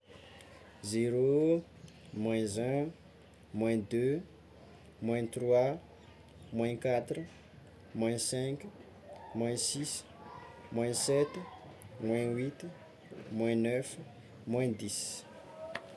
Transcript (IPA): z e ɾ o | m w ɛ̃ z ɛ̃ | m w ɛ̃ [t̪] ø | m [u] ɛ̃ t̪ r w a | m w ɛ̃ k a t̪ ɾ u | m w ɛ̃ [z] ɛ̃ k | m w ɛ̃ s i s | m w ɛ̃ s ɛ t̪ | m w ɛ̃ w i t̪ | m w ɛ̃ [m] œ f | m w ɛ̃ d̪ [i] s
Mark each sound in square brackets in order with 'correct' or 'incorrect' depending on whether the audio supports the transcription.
incorrect, incorrect, incorrect, incorrect, correct

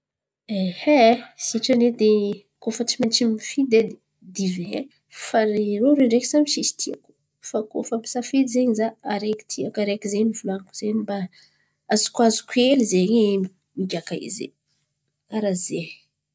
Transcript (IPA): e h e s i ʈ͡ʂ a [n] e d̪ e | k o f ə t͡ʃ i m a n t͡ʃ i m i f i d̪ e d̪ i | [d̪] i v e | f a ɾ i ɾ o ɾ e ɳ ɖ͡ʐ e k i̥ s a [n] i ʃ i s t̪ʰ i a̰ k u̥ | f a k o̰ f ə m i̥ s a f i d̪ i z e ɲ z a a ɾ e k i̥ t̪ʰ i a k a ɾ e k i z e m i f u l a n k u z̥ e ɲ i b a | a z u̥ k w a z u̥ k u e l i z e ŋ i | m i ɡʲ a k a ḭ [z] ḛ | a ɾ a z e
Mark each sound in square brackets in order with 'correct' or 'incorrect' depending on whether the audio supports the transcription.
correct, correct, incorrect, correct

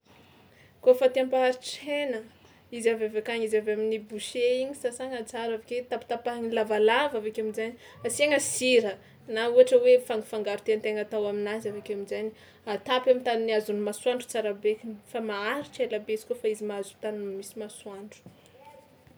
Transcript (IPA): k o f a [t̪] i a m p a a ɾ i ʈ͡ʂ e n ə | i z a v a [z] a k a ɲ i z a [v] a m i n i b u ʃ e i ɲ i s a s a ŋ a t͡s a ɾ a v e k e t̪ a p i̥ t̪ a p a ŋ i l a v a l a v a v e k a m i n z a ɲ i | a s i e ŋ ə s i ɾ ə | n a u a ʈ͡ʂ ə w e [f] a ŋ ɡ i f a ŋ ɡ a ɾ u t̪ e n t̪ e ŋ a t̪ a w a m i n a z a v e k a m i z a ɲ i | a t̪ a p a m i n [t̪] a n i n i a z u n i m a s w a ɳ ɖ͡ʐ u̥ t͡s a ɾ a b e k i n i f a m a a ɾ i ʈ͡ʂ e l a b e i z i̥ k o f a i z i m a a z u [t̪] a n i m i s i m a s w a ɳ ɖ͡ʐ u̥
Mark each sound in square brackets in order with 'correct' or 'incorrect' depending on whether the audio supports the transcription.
correct, incorrect, correct, correct, correct, correct

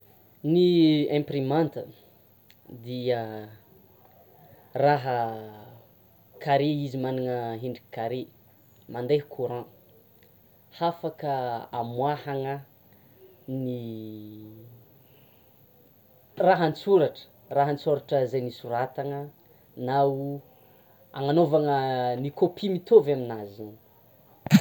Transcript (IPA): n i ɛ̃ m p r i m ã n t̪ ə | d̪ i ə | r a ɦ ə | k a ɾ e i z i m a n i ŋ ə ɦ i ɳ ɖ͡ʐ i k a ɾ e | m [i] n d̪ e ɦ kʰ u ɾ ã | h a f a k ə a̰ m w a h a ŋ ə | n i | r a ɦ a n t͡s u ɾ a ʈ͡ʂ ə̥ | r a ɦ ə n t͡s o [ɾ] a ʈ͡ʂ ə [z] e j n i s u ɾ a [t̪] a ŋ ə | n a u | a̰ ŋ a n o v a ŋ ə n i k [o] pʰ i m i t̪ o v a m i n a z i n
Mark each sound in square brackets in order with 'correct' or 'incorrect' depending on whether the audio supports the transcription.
incorrect, correct, correct, correct, correct

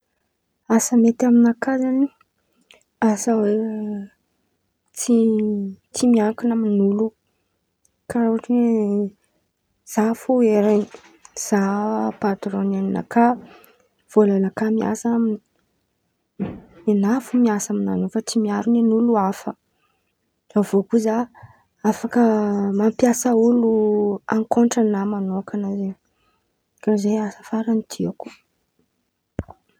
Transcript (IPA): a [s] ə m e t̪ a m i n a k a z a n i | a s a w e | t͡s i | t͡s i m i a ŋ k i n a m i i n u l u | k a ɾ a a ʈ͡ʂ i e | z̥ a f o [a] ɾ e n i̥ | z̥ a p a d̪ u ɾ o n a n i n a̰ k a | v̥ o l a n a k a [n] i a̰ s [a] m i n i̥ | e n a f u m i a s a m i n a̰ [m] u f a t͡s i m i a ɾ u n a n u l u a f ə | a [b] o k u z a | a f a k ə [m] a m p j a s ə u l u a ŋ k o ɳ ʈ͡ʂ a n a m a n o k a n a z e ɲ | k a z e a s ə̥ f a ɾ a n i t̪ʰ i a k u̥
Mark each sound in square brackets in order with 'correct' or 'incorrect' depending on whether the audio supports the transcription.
correct, incorrect, incorrect, correct, incorrect, incorrect, correct

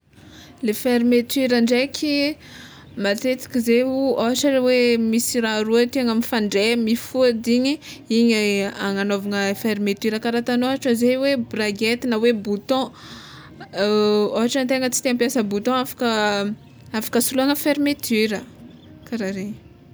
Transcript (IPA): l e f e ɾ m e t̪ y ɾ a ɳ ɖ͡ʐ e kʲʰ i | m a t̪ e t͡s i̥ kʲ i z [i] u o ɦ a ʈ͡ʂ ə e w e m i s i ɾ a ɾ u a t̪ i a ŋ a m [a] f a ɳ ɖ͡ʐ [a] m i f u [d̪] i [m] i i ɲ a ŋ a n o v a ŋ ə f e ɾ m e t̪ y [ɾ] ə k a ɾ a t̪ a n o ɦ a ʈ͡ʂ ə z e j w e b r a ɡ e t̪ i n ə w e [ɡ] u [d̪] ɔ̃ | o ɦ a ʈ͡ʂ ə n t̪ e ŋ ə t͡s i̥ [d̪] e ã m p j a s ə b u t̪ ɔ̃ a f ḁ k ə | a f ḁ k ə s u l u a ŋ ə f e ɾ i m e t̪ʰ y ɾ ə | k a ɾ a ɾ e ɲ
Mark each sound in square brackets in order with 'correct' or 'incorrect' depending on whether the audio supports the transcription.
incorrect, incorrect, incorrect, correct, incorrect, correct, incorrect, incorrect, incorrect

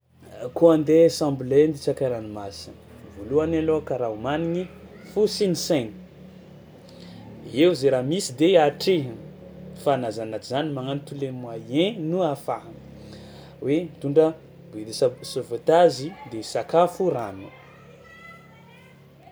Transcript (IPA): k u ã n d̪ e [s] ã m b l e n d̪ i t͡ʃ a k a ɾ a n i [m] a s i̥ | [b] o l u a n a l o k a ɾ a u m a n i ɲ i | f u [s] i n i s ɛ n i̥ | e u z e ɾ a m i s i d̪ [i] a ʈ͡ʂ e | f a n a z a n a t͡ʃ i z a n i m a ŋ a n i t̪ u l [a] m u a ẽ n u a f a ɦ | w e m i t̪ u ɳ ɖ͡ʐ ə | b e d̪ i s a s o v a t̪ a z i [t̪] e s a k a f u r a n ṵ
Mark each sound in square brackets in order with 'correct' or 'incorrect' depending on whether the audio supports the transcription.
correct, correct, incorrect, correct, incorrect, incorrect, incorrect

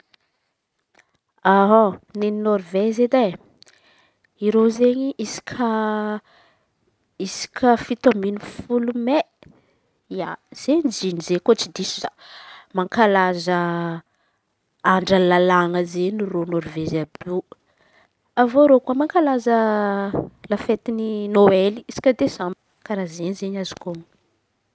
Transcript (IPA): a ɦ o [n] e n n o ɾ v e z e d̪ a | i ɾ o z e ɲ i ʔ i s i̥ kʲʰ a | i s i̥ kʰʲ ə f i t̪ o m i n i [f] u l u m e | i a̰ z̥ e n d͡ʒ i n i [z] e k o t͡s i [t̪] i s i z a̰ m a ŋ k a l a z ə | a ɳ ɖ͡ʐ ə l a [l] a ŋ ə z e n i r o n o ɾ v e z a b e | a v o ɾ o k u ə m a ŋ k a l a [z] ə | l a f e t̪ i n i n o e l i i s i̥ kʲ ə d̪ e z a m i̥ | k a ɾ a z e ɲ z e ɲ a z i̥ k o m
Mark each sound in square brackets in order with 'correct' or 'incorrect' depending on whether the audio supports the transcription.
correct, correct, correct, incorrect, correct, correct

